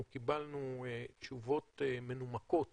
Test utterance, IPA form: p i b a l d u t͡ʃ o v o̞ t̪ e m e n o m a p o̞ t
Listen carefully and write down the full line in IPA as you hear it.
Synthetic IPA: k i b a l n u t͡ʃ u v o̞ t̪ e m e n u m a k o̞ t